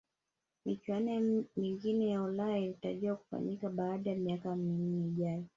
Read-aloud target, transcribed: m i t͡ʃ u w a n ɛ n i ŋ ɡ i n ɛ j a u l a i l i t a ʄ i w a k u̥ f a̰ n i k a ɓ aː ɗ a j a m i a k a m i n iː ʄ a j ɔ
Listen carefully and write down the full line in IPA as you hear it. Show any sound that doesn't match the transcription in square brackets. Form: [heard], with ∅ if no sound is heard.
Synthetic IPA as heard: m i t͡ʃ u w a n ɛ [m] i ŋ ɡ i n ɛ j a u l a i l i t a ʄ i w a k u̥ f a̰ [ɲ] i k a ɓ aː ɗ a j a m i a k a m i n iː ʄ a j ɔ